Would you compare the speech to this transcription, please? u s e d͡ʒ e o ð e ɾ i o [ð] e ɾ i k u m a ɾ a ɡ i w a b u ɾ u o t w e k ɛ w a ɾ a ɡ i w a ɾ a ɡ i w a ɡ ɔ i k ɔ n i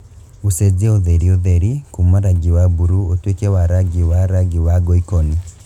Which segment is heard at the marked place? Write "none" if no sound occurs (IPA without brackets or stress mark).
ð